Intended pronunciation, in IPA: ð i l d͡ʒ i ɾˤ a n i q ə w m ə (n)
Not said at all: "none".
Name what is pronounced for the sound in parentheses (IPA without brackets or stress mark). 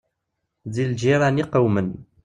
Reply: n